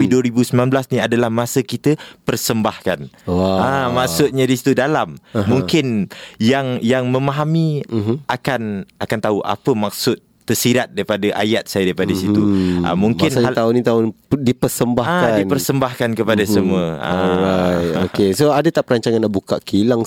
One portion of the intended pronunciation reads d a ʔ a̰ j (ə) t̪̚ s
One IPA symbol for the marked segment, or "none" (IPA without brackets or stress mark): a